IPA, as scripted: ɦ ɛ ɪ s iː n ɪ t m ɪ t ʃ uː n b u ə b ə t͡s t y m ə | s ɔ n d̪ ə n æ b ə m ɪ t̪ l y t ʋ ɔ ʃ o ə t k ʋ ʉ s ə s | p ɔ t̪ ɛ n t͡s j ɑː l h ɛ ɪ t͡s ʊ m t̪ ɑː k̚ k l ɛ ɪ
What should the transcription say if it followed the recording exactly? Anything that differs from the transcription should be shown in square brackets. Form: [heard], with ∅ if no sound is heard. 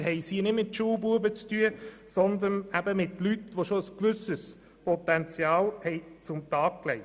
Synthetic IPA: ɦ ɛ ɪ s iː n ɪ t m ɪ t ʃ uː [∅] b u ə b ə t͡s t y [∅] ə | s ɔ n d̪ ə n æ b ə m ɪ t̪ l y t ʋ [o] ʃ o ə [s] k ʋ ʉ s ə s | p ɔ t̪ ɛ n t͡s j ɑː l h ɛ ɪ t͡s ʊ m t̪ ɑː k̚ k l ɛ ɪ